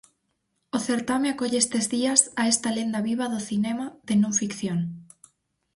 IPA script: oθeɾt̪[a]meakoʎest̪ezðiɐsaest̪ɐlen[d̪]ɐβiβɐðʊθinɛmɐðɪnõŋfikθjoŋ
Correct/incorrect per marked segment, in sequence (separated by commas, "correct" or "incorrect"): correct, correct